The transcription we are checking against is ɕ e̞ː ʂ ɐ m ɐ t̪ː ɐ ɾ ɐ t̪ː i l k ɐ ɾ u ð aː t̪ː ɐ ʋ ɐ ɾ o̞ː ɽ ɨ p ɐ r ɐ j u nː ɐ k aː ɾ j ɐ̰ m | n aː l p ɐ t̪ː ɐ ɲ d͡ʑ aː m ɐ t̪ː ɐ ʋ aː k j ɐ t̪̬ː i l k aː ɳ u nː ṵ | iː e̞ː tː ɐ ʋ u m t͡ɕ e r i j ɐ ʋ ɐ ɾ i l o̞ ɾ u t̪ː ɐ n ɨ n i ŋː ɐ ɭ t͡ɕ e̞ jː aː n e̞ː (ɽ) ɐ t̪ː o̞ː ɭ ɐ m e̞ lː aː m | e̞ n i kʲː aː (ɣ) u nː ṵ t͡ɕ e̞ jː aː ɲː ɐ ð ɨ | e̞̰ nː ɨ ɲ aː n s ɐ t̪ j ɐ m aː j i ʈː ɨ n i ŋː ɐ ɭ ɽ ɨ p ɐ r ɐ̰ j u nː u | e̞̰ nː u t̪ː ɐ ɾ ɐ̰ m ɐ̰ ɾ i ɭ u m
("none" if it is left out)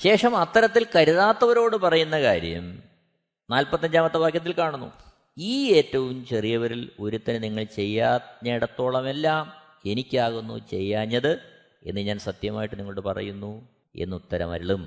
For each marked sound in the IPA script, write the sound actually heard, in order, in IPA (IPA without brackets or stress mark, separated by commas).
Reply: ɽ, ɣ